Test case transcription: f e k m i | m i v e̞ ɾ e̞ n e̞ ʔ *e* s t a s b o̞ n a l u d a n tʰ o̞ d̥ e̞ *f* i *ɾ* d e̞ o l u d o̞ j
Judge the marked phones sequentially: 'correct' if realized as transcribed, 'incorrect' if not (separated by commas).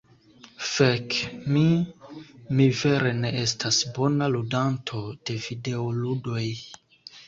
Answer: correct, incorrect, incorrect